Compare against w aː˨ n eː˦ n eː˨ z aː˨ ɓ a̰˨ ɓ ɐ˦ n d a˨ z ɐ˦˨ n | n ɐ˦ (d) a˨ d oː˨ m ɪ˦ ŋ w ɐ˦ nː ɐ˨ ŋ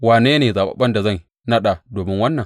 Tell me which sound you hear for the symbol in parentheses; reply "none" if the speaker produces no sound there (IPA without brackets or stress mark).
ɗ